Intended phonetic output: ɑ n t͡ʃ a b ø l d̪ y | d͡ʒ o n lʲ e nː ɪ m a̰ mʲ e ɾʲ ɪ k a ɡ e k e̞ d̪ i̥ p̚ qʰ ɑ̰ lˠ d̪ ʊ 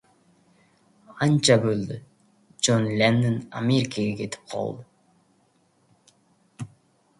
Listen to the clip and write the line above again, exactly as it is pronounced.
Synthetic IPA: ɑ n t͡ʃ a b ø l d̪ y | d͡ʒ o n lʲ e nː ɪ n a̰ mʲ e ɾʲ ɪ k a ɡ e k e̞ t̪ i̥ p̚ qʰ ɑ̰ lˠ d̪ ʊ